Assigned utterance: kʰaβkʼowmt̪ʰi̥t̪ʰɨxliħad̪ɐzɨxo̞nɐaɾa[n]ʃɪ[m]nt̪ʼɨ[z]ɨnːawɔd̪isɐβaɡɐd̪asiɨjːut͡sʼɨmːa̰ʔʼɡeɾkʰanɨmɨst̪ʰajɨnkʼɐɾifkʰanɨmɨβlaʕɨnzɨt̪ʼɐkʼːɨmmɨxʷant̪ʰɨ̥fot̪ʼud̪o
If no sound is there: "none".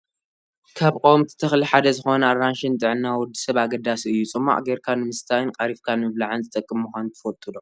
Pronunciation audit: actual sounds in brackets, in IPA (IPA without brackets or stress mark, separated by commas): n, none, ʕ